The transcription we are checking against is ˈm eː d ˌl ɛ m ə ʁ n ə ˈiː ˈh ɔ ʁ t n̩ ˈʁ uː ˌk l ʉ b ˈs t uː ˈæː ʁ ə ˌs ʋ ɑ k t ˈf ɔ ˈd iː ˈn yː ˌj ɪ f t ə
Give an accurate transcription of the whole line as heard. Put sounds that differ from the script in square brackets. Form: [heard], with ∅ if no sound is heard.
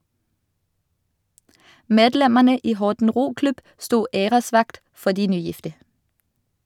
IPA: ˈm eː d ˌl ɛ m ə ʁ n ə ˈiː ˈh ɔ ʁ t n̩ ˈʁ uː ˌk l ʉ b ˈs t uː [ˈeː] ʁ ə ˌs ʋ ɑ k t ˈf ɔ ˈd iː ˈn yː ˌj ɪ f t ə